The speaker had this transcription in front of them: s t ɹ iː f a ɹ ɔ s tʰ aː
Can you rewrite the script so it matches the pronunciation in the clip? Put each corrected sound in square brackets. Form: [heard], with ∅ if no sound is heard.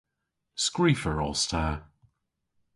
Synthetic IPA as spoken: s [k] ɹ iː f [ə] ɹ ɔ s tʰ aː